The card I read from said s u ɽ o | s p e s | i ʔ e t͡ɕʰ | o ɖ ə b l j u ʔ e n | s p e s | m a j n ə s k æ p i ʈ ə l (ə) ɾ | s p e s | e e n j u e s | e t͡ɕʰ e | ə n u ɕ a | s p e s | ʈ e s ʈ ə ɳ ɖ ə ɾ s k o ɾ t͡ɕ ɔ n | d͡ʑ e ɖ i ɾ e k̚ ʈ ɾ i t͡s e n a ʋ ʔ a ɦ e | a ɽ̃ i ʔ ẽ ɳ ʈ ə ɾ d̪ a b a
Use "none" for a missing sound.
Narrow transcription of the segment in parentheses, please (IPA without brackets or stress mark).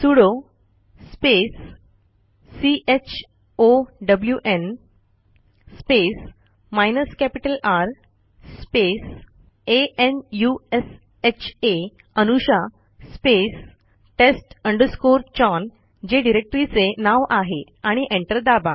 a